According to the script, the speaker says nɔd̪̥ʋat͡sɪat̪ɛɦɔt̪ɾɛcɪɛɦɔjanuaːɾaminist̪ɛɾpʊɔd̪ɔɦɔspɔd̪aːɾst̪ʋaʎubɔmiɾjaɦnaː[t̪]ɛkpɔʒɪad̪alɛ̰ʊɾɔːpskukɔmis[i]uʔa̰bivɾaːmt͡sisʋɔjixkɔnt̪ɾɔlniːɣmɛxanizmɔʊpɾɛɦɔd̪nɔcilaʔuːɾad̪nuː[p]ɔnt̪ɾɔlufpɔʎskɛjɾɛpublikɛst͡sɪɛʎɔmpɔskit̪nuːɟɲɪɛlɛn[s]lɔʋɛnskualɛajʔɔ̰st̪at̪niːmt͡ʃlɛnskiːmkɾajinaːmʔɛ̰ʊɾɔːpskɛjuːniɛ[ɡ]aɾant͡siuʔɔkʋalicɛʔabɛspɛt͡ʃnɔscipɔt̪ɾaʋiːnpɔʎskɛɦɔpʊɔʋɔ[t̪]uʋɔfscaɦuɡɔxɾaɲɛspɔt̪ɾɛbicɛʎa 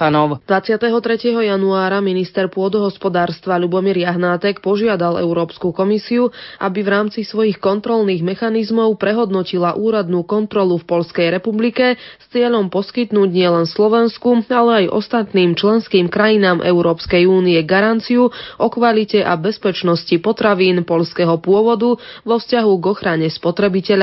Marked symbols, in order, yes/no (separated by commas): yes, yes, no, yes, yes, no